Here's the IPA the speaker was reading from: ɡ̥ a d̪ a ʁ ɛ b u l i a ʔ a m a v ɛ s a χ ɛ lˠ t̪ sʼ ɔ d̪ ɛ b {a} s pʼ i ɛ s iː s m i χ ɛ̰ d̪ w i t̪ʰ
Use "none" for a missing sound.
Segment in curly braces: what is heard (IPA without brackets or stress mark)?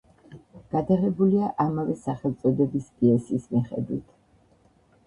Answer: i